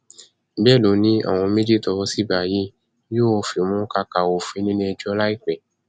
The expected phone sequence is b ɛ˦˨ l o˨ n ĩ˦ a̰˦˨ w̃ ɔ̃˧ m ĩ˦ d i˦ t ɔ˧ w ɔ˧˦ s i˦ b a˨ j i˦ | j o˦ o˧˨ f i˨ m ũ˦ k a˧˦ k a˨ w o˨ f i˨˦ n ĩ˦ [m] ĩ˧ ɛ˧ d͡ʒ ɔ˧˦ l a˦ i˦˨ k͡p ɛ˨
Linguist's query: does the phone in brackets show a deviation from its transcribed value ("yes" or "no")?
yes